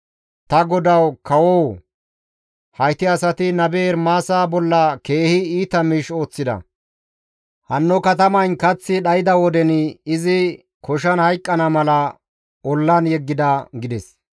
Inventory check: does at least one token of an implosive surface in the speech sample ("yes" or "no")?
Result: yes